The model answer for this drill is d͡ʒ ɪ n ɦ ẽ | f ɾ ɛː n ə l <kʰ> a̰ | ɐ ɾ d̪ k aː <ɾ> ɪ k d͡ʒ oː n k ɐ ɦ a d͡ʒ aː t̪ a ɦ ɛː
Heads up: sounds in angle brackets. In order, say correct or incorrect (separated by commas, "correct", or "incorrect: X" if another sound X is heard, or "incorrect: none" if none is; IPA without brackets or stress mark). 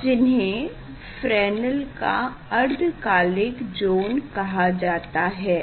incorrect: k, incorrect: l